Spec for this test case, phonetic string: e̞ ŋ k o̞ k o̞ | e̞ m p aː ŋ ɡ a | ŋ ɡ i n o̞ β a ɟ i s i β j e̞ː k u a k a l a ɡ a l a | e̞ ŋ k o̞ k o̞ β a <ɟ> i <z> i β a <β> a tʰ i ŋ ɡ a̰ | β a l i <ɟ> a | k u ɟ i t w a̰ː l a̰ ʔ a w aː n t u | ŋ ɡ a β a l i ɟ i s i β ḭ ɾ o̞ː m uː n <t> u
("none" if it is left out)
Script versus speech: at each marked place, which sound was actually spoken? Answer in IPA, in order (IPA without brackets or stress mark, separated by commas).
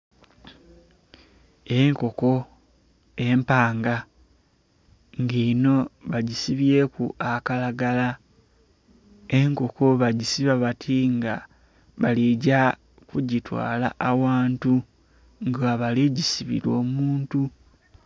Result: ɟ, s, β, ɟ, t